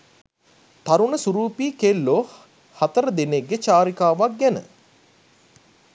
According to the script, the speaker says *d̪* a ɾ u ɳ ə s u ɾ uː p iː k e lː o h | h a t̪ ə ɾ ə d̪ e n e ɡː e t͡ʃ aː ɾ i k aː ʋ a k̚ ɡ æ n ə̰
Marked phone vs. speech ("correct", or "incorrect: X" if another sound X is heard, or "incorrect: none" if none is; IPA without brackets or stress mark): incorrect: t̪